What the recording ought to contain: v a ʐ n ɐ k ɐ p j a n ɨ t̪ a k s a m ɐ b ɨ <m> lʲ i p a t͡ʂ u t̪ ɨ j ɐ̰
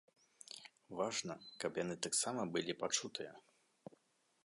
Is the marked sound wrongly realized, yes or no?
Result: yes